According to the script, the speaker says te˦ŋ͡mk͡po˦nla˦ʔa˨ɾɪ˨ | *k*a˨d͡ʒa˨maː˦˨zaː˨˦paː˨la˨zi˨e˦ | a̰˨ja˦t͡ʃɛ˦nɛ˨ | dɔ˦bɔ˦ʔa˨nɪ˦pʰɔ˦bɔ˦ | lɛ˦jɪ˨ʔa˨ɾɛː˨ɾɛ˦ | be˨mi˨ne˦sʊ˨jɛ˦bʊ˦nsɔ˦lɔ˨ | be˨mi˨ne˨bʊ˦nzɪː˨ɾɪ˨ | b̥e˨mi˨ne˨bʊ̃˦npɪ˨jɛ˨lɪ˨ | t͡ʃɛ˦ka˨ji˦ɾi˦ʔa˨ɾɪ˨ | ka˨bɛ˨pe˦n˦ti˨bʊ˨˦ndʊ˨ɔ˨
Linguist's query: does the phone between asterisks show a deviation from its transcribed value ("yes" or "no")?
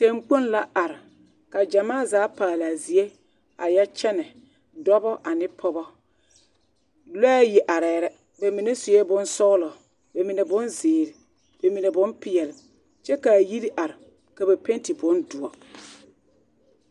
no